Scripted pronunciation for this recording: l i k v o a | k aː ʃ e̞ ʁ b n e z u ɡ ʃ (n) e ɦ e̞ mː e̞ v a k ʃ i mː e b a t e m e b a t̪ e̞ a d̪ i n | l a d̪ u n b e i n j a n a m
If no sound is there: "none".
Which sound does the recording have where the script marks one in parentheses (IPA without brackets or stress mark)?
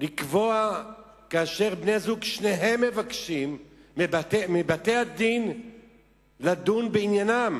n